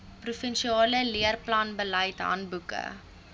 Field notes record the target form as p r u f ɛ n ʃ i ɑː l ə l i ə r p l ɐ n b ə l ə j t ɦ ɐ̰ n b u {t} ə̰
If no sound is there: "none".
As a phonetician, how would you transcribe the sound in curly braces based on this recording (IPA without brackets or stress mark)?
k